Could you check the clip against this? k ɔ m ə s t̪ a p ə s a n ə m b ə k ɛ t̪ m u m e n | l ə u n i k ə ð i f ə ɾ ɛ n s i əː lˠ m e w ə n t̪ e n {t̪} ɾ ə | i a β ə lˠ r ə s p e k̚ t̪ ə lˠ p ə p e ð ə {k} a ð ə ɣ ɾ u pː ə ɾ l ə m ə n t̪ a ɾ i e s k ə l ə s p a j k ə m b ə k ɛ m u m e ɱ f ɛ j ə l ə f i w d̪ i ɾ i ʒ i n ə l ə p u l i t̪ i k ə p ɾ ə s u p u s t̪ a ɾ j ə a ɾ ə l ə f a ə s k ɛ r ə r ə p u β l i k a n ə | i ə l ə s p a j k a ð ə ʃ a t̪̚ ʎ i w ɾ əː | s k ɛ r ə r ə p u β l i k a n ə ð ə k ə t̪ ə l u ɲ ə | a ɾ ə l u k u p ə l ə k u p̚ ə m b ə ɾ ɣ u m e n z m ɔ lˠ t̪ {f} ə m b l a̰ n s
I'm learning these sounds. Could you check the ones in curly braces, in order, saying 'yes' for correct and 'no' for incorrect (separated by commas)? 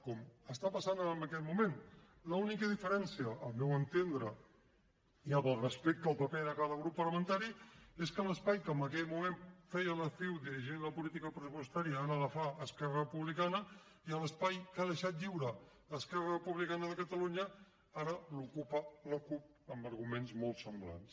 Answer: no, yes, no